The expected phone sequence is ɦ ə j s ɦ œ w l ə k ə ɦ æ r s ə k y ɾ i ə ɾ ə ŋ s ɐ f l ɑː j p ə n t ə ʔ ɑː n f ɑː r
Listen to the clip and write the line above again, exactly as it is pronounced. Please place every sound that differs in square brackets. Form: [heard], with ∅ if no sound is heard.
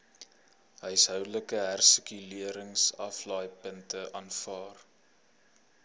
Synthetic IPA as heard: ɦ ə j s ɦ œ w l ə k ə ɦ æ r s ə k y [l] i ə ɾ ə ŋ s ɐ f l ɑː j p ə n t ə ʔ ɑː n f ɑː r